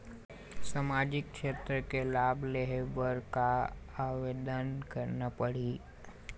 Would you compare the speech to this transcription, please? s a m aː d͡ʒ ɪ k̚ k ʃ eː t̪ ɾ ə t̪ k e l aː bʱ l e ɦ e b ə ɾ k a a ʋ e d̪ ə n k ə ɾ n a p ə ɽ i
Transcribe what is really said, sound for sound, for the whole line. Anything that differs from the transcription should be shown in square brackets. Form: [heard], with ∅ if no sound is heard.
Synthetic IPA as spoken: s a m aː d͡ʒ ɪ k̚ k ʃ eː t̪ ɾ ə [∅] k e l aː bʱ l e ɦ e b ə ɾ k a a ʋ e d̪ ə n k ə ɾ n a p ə ɽ i